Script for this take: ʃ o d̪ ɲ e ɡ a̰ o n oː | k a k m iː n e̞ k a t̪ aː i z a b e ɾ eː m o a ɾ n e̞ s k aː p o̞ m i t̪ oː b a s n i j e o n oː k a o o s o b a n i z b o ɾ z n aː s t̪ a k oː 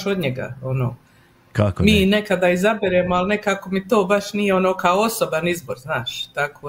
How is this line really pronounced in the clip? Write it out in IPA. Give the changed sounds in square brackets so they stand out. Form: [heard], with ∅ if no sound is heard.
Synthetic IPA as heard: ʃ o d̪ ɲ e ɡ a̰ o n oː | k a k m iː n e̞ k a [d̪] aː i z a b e ɾ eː m o a [l] n e̞ [∅] k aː [k] o̞ m i t̪ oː b a [ʃ] n i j e o n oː k a o o s o b a n i z b o ɾ z n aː [ʃ] t̪ a k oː